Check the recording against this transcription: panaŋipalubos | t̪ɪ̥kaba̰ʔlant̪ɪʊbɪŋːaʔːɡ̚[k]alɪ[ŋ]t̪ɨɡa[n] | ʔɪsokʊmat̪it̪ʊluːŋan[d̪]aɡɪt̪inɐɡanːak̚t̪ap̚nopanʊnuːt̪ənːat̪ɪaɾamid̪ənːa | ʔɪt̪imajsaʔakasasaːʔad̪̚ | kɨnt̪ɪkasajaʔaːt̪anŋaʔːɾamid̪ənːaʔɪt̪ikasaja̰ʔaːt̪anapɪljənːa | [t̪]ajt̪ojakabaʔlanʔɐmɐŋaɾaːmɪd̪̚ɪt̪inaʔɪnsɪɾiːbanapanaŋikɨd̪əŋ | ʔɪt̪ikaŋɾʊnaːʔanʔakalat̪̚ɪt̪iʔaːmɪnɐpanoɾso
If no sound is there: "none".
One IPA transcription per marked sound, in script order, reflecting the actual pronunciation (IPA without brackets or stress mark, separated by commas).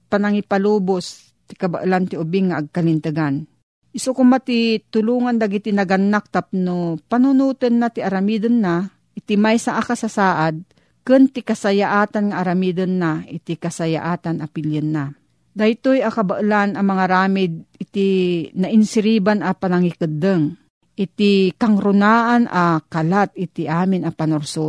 k, n, n, d̪, d̪